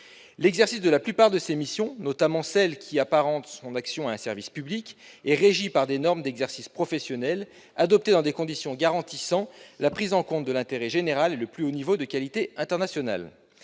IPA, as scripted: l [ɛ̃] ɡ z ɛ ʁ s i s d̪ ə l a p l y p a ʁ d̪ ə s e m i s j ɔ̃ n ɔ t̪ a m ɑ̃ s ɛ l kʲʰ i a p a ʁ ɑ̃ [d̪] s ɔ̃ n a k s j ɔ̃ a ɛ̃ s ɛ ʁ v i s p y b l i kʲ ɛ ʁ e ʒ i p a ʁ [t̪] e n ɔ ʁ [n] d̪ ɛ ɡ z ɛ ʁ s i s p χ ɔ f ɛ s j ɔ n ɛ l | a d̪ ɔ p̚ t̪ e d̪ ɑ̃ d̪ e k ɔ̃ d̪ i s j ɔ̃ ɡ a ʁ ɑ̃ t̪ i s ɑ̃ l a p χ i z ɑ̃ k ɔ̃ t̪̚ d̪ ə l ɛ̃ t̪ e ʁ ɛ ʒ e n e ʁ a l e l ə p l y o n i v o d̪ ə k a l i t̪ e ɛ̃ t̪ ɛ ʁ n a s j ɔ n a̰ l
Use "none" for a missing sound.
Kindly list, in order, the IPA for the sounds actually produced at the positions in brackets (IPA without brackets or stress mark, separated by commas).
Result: ɛ, t̪, d̪, m